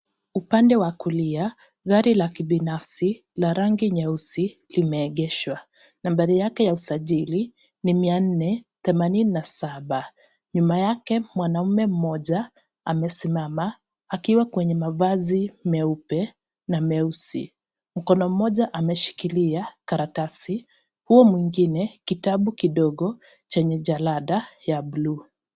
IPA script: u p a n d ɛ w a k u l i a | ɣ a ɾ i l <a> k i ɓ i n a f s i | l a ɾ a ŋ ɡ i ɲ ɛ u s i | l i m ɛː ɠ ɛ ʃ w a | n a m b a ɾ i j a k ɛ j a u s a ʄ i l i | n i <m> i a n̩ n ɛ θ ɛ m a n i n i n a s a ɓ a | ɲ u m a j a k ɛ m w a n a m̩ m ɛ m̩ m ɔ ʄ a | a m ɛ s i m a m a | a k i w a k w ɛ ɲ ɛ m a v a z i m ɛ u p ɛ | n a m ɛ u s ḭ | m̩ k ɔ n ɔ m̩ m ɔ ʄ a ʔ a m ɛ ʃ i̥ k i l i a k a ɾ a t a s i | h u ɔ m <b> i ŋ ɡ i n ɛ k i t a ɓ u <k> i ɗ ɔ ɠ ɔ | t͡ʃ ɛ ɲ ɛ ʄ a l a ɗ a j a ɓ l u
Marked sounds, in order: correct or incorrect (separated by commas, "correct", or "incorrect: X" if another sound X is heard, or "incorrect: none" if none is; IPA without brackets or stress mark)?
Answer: correct, correct, incorrect: w, correct